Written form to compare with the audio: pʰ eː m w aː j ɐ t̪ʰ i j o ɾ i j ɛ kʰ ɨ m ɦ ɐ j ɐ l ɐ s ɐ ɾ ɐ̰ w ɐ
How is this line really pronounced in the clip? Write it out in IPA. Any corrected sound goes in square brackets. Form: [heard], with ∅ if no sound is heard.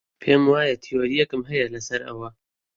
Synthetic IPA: pʰ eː m w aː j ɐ t̪ʰ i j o ɾ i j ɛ [k] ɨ m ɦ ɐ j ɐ l ɐ s ɐ ɾ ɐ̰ w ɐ